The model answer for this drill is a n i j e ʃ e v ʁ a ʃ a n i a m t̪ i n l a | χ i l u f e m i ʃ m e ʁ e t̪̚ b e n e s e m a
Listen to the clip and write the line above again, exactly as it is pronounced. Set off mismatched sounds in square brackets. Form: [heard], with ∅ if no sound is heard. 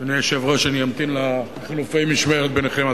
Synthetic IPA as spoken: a n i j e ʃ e v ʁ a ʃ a n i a m t̪ i n l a | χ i l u f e m i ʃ m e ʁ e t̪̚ b e n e [χ] e m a